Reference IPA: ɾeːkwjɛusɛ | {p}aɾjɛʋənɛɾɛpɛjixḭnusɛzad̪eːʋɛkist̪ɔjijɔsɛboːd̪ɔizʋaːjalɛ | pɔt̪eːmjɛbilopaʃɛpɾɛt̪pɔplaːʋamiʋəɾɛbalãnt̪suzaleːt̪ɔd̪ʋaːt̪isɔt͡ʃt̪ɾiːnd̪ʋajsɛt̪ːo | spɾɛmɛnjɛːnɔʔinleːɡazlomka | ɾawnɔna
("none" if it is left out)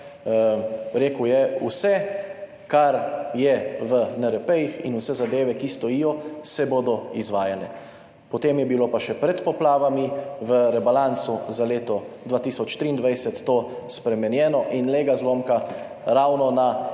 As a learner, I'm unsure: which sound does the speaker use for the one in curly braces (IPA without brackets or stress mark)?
k